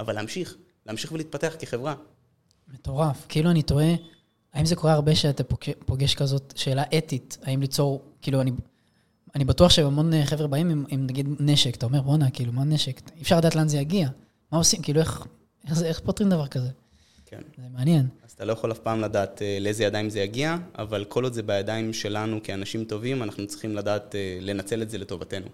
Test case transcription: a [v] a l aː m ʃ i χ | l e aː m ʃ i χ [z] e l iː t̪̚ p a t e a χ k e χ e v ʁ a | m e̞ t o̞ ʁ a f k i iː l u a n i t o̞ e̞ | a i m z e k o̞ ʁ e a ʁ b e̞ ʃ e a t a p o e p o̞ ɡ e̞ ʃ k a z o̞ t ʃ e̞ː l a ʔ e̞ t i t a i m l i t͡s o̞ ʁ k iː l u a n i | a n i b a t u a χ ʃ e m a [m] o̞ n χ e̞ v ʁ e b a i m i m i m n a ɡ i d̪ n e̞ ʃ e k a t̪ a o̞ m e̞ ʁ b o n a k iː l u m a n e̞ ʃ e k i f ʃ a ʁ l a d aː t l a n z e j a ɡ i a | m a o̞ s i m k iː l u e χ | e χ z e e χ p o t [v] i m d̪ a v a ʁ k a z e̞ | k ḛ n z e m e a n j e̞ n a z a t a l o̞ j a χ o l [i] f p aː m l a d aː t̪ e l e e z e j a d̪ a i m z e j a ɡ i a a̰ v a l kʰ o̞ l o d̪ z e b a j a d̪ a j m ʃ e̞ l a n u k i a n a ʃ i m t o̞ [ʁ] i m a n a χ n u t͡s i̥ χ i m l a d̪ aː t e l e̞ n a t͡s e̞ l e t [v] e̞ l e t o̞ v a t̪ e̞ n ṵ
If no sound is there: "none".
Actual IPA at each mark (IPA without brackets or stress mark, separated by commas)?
v, v, m, ʁ, a, v, z